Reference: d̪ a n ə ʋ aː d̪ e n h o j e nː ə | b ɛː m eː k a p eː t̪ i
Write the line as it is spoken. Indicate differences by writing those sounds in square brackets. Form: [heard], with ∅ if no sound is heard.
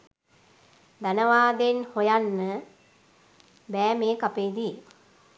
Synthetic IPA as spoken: d̪ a n ə ʋ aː d̪ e n h o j [a] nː ə | b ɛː m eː k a p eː [d̪] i